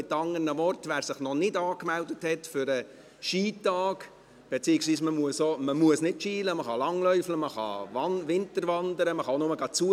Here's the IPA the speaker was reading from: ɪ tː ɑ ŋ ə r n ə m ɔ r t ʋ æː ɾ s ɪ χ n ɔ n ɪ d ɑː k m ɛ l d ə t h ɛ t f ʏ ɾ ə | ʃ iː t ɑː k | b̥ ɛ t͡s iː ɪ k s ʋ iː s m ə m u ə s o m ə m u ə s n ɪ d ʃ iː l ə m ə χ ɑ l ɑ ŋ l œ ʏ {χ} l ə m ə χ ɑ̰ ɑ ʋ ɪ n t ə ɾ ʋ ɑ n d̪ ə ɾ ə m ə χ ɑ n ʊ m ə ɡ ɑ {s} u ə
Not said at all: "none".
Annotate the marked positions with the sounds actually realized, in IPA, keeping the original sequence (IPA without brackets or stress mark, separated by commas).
f, t͡s